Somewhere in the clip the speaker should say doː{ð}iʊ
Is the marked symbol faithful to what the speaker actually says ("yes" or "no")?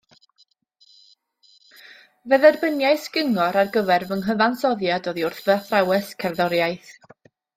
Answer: yes